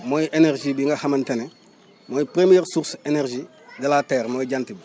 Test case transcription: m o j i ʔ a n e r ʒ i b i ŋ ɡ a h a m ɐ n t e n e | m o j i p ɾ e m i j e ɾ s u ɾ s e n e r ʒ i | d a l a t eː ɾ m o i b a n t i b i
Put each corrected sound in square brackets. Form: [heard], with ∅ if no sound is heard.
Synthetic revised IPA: m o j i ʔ [e] n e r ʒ i b i ŋ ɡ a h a m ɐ n t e n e | m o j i p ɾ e m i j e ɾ s u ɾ s e n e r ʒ i | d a l a t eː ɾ m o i [ɟ] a n t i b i